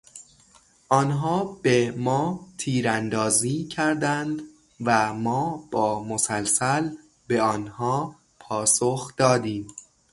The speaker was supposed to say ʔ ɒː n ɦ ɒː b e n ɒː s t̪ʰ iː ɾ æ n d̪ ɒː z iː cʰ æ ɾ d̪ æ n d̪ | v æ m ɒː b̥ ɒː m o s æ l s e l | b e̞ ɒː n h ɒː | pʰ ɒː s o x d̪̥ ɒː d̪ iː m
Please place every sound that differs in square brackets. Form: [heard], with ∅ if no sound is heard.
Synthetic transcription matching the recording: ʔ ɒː n ɦ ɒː b e [m] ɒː [∅] t̪ʰ iː ɾ æ n d̪ ɒː z iː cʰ æ ɾ d̪ æ n d̪ | v æ m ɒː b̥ ɒː m o s æ l s [æ] l | b e̞ ɒː n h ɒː | pʰ ɒː s o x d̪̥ ɒː d̪ iː m